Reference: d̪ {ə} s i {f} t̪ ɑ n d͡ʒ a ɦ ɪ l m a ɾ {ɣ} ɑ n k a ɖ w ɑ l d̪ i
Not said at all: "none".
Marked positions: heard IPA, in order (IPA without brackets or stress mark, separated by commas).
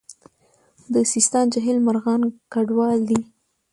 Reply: ə, s, ɣ